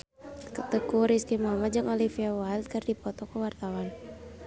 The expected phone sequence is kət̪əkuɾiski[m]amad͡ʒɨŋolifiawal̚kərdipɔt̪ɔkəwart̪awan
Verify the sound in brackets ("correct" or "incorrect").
correct